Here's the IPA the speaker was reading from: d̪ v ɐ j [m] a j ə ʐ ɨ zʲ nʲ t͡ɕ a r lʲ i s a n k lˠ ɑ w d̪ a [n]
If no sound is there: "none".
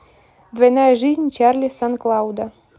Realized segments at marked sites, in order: n, none

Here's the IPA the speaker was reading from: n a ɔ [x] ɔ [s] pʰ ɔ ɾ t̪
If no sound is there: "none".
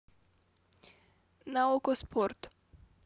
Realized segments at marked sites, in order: k, s

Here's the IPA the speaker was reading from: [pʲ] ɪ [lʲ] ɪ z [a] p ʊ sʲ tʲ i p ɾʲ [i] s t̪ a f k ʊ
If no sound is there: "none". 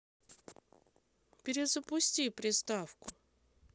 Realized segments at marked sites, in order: pʲ, ɾʲ, ə, ɪ

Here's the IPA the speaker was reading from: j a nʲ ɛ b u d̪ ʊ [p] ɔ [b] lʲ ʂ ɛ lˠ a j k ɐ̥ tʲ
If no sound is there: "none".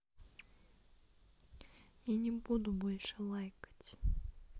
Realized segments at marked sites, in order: b, none

